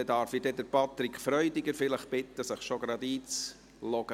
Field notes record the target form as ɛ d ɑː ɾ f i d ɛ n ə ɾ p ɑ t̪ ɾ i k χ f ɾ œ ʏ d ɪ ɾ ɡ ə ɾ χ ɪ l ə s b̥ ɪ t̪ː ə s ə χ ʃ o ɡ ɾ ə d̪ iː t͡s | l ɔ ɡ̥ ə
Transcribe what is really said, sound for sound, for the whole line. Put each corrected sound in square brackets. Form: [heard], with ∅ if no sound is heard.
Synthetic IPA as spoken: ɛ d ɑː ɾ f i d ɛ [d] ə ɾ p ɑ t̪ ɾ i k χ f ɾ œ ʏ d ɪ [∅] ɡ ə ɾ [f] ɪ l ə [χ] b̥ ɪ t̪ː ə s ə χ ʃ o ɡ ɾ [ɑ] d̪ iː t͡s | l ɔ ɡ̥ ə